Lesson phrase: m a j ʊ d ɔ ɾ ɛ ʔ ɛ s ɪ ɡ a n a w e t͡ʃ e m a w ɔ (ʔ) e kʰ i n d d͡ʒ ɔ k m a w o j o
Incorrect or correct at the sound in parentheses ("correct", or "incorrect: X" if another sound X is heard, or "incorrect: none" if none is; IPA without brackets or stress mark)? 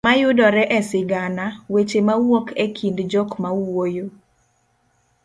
incorrect: k